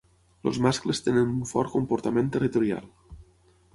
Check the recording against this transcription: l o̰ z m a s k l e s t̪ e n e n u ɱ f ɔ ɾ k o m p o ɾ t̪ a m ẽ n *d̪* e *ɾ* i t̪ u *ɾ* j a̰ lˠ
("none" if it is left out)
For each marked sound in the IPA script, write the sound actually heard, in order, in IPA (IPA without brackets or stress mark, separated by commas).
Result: t̪, r, ɾ